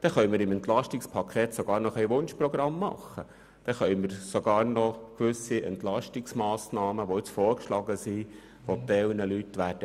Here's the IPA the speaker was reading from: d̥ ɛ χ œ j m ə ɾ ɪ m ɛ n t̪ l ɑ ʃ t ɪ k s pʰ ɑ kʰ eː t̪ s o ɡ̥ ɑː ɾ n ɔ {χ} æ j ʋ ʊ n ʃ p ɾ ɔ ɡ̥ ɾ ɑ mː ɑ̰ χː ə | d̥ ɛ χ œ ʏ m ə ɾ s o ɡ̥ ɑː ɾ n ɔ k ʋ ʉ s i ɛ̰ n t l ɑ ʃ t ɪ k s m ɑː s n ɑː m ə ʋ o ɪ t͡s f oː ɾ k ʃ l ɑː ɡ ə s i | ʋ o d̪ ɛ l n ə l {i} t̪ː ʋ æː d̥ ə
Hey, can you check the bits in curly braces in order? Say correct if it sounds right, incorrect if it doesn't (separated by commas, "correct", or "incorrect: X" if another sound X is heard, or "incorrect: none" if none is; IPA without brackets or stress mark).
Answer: correct, incorrect: y